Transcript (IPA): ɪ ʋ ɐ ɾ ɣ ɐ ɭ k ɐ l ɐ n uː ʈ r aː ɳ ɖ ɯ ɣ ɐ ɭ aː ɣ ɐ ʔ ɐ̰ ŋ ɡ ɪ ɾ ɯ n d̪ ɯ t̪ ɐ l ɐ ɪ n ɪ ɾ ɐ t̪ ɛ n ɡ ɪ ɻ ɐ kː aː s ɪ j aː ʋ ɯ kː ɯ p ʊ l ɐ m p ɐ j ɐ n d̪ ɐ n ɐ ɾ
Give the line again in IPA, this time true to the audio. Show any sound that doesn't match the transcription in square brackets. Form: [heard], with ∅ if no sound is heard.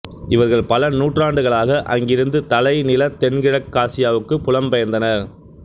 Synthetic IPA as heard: ɪ ʋ ɐ ɾ ɣ ɐ ɭ [p] ɐ l ɐ n uː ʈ r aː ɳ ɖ ɯ ɣ ɐ ɭ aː ɣ ɐ ʔ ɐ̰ ŋ ɡ ɪ ɾ ɯ n d̪ ɯ t̪ ɐ l ɐ ɪ n ɪ [l] ɐ t̪ ɛ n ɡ ɪ ɻ ɐ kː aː s ɪ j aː ʋ ɯ kː ɯ p ʊ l ɐ m p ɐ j ɐ n d̪ ɐ n ɐ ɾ